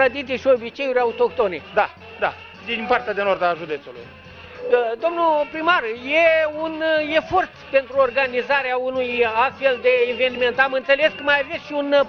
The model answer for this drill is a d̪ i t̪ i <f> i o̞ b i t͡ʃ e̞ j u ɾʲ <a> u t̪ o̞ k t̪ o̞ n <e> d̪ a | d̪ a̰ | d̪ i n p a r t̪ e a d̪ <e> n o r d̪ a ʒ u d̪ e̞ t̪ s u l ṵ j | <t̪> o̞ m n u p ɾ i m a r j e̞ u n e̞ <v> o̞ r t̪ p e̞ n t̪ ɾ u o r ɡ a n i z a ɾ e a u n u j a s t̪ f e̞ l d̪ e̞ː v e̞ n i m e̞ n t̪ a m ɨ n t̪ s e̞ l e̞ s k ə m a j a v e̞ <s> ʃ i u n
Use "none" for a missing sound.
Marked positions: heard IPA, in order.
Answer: ʃ, a, e, e, d̪, f, s

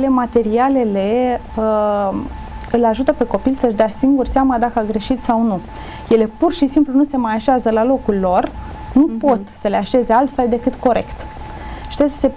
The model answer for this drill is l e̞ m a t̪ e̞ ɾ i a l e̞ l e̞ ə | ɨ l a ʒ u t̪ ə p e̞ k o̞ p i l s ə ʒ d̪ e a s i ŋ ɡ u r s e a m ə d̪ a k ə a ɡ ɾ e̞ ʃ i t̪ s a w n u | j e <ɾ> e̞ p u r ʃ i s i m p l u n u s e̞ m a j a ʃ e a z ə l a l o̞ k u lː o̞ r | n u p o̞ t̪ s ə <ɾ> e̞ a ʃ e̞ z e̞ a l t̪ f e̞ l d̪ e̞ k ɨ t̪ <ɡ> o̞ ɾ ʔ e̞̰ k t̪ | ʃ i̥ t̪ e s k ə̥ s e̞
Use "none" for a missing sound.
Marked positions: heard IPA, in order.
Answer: l, l, k

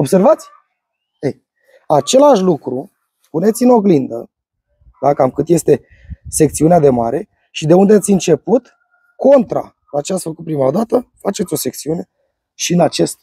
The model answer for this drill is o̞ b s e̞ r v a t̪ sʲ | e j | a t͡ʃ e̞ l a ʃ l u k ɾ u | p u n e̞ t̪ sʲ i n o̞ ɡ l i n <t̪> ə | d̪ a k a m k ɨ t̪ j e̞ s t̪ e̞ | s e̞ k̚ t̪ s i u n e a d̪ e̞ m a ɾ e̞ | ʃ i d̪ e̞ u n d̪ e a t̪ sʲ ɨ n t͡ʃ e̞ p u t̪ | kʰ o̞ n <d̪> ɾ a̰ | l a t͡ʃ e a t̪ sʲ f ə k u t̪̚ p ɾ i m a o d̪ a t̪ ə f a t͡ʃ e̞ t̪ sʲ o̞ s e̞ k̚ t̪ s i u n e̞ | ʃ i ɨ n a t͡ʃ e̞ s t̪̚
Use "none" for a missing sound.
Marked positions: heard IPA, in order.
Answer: d̪, t̪

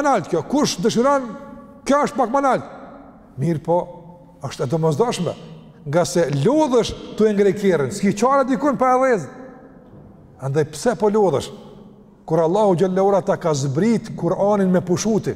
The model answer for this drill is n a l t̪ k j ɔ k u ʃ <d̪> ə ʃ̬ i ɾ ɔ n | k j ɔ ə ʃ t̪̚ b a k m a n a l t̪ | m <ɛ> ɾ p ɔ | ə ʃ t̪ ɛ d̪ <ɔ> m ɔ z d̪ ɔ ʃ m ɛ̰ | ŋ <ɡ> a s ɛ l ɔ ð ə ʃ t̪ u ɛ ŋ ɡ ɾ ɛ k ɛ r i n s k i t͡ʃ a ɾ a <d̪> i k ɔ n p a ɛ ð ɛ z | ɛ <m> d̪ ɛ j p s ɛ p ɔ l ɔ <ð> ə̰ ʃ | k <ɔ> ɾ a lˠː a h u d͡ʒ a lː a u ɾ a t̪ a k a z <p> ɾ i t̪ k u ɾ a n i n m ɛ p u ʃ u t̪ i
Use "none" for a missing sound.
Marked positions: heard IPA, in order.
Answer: d̪, i, ɔ, ɡ, d̪, n, ð, u, b

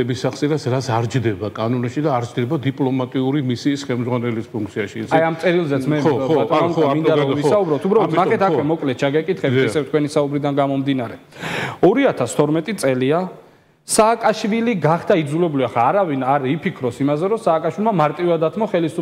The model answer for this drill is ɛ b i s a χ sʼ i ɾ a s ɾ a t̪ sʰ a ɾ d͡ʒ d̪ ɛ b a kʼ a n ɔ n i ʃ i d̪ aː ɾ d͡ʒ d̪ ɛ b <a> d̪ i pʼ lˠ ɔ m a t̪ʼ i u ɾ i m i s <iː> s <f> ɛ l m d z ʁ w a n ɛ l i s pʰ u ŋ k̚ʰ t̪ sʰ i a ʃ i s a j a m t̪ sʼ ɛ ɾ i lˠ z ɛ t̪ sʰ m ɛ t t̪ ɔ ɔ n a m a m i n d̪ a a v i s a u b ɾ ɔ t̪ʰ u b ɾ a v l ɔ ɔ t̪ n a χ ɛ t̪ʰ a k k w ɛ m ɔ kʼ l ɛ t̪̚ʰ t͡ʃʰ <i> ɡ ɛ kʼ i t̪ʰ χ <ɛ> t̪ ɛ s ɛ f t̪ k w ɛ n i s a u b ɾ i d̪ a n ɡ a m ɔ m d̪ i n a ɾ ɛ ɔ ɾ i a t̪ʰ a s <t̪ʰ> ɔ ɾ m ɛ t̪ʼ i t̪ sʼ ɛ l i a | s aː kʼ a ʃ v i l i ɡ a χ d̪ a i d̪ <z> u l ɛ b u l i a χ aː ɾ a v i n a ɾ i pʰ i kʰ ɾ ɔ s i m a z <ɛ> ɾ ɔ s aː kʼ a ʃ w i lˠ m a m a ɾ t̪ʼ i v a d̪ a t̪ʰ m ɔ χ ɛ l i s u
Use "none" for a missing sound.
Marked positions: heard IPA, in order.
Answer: a, iː, χ, a, ɛ, t̪ʰ, z, ɛ

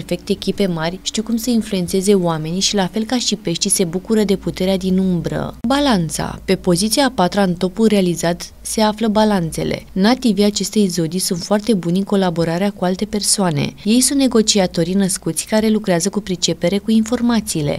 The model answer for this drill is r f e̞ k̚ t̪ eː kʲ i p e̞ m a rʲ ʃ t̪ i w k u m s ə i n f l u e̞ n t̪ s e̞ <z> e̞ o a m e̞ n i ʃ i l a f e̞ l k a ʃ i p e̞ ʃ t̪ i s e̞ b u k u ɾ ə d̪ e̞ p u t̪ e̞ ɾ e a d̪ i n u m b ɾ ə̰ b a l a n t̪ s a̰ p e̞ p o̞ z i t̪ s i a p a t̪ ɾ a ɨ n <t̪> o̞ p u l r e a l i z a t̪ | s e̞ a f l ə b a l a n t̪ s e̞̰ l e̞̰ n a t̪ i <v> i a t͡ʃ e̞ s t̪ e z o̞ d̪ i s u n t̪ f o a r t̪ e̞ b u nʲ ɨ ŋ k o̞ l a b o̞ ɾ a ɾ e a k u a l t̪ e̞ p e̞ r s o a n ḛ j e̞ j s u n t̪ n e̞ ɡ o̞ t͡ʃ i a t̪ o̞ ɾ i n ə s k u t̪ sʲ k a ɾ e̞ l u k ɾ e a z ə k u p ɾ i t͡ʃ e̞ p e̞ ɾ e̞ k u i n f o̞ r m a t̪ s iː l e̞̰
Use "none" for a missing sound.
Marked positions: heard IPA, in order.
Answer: z, t̪, v

